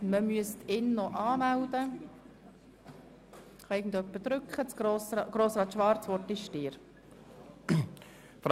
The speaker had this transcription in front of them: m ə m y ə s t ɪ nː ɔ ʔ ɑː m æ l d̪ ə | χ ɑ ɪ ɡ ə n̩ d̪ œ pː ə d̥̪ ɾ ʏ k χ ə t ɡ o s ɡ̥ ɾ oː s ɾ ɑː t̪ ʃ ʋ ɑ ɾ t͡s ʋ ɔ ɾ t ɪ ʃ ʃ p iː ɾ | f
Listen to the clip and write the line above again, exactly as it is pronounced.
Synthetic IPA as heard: m ə m y ə s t ɪ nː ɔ ʔ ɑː m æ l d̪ ə | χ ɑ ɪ ɡ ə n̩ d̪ œ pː ə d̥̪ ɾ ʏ k χ ə t͡s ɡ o s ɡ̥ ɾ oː s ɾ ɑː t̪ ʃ ʋ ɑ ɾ t͡s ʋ ɔ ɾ t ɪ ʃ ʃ t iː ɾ | f